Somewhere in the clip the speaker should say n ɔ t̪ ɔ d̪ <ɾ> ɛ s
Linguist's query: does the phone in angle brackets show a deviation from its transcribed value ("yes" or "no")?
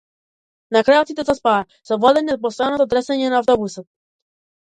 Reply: no